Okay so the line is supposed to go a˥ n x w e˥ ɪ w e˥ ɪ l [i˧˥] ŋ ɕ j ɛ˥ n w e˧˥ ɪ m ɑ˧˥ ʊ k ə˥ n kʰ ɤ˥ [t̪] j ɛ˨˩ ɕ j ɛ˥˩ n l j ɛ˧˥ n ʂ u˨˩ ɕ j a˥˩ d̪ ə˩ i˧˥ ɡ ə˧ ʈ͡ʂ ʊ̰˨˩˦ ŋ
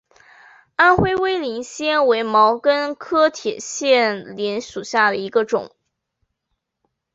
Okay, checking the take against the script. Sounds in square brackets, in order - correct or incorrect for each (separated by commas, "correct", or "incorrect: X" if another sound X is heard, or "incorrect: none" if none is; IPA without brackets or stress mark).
correct, incorrect: t̪ʰ